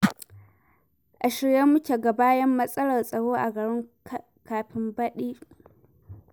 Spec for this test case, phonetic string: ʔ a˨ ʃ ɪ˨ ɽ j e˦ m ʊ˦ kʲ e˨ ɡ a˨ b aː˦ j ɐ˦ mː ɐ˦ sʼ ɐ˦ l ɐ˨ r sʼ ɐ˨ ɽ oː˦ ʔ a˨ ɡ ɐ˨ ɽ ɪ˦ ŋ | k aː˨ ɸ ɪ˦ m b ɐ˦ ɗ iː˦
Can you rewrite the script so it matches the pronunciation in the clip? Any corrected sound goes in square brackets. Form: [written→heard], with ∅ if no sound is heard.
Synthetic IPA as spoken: ʔ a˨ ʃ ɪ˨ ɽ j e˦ m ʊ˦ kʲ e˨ ɡ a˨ b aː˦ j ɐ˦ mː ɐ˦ sʼ ɐ˦ l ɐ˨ r sʼ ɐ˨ ɽ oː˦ ʔ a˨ ɡ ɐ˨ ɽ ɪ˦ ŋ | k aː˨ ɸ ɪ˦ m b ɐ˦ ɗ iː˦